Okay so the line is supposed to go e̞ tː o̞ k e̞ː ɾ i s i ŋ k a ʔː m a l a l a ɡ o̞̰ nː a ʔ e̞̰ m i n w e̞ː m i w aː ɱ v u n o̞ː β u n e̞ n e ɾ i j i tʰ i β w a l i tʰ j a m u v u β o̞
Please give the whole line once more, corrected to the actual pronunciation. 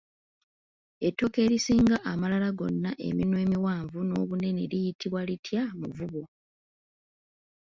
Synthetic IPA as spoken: e̞ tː o̞ k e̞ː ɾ i s iː ŋ ɡ a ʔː m a l a l a ɡ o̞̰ nː a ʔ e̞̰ m i n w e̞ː m i w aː ɱ v u n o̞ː β u n e̞ n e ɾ i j i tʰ i β w a l i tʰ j a m u v u β o̞